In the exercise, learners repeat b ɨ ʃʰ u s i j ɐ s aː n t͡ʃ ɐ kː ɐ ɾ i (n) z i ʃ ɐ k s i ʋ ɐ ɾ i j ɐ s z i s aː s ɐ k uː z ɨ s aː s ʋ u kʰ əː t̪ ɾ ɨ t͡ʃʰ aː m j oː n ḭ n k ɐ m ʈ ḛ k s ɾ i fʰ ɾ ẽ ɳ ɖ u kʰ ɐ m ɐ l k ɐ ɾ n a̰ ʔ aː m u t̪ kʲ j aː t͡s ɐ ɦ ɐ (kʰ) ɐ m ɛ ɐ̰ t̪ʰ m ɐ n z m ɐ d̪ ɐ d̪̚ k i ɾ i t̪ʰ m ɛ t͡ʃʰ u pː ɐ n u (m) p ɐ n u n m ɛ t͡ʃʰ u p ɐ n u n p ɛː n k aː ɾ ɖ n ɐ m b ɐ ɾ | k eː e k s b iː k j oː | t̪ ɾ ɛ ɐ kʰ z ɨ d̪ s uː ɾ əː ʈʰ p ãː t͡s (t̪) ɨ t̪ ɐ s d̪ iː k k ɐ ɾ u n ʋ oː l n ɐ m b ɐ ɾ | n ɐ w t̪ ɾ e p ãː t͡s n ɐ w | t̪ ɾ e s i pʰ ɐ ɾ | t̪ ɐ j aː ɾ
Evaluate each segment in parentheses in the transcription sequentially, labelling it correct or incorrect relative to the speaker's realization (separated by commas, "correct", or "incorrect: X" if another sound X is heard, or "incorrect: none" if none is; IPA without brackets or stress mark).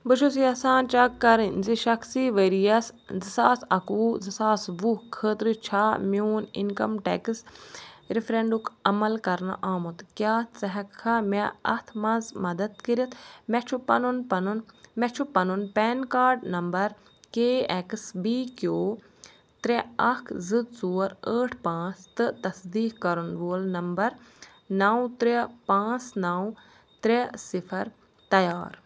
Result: correct, correct, incorrect: n, correct